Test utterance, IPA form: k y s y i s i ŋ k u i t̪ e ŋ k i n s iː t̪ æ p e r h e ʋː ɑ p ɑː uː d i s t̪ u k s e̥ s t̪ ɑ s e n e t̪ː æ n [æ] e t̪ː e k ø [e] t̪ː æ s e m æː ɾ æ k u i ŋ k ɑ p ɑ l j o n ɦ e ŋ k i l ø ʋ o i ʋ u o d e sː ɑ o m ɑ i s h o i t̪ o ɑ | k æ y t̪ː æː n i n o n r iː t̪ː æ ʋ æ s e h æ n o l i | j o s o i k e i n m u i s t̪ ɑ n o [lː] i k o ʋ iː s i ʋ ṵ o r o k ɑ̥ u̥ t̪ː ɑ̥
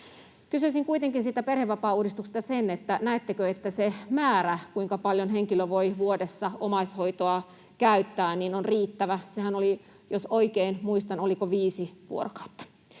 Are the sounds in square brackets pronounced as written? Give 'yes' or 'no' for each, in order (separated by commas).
yes, yes, no